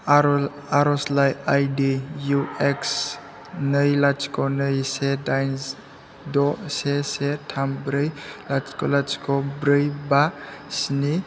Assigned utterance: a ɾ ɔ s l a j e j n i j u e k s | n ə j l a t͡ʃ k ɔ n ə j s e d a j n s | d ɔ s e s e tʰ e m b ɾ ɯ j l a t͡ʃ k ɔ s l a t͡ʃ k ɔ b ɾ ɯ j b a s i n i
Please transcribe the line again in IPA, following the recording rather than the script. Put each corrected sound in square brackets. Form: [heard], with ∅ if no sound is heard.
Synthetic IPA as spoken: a ɾ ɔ s l a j [a] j [d] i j u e k s | n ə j l a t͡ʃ k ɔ n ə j s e d a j n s | d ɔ s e s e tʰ [a] m b ɾ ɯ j l a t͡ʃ k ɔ [∅] l a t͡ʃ k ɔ b ɾ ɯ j b a s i n i